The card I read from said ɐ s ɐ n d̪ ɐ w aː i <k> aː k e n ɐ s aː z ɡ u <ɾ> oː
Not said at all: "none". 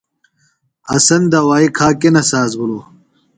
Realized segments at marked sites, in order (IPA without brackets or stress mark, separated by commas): kʰ, l